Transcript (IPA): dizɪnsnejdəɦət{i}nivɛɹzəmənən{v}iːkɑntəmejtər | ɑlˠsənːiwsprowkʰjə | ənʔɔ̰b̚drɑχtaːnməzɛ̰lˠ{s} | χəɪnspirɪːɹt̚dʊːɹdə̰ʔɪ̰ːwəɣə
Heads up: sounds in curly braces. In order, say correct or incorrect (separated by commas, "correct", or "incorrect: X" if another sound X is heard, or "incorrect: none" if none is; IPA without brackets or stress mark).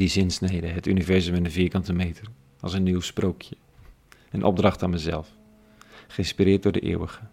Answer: incorrect: y, correct, incorrect: f